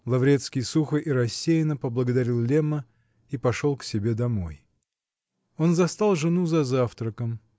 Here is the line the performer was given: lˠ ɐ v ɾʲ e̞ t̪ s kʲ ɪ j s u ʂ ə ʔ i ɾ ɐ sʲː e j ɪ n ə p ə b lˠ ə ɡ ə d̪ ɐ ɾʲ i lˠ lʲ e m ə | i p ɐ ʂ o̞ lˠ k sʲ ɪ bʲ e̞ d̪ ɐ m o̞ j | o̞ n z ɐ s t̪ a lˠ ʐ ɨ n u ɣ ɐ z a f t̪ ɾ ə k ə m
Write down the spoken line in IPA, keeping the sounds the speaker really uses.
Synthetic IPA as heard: lˠ ɐ v ɾʲ e̞ t̪ s kʲ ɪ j s u x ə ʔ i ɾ ɐ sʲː e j ɪ n ə p ə b lˠ ə ɡ ə d̪ ɐ ɾʲ i lˠ lʲ e m ə | i p ɐ ʂ o̞ lˠ k sʲ ɪ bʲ e̞ d̪ ɐ m o̞ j | o̞ n z ɐ s t̪ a lˠ ʐ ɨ n u z ɐ z a f t̪ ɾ ə k ə m